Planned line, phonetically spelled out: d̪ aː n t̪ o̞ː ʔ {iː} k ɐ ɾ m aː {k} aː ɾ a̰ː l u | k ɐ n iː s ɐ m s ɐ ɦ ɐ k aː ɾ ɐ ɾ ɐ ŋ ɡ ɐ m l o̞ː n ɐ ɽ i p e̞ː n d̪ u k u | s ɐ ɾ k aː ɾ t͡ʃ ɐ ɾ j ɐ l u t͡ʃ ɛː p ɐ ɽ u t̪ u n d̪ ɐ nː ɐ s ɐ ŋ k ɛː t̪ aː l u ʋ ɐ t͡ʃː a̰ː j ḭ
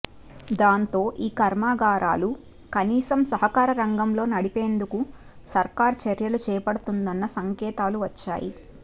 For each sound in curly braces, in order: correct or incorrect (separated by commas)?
correct, incorrect